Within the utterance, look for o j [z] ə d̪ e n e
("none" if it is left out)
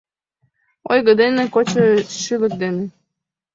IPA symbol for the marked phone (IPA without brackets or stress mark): ɣ